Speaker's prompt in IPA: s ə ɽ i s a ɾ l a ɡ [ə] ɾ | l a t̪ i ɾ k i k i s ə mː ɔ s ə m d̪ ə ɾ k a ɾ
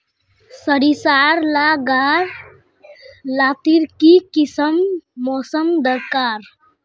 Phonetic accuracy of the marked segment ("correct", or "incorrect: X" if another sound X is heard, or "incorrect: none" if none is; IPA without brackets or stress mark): incorrect: a